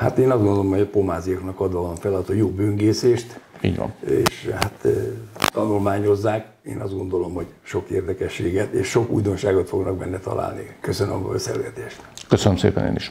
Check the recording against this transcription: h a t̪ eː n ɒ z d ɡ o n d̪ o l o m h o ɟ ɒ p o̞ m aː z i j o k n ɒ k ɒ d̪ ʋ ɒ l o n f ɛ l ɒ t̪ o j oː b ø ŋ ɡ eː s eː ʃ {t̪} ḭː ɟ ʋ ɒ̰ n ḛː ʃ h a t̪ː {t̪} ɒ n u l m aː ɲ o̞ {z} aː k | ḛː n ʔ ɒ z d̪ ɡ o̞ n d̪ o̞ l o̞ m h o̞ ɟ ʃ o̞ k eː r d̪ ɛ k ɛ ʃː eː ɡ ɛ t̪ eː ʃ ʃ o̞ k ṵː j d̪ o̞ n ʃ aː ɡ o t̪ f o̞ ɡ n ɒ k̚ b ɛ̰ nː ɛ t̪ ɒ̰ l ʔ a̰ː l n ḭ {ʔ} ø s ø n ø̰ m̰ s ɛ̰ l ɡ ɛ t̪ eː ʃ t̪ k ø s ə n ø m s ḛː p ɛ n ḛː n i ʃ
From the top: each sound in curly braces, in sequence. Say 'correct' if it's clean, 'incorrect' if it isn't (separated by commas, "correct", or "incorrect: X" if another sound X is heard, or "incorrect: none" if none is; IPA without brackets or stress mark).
correct, correct, incorrect: zː, incorrect: k